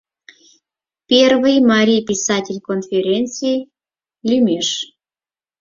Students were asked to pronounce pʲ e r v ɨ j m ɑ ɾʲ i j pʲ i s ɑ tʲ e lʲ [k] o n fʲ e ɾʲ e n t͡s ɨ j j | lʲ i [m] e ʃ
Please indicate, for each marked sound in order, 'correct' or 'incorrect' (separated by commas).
correct, correct